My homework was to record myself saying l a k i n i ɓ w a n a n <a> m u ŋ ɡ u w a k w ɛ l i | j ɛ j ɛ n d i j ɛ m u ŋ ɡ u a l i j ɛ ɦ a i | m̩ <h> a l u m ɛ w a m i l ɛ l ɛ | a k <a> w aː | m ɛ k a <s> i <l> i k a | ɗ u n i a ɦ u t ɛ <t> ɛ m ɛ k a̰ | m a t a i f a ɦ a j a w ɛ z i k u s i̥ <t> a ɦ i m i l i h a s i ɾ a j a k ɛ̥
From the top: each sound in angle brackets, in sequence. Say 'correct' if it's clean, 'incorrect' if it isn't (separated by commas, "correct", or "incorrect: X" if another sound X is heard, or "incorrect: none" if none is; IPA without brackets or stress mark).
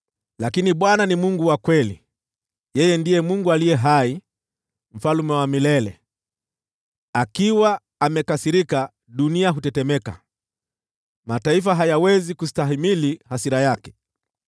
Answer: incorrect: i, incorrect: f, incorrect: i, correct, incorrect: ɾ, correct, correct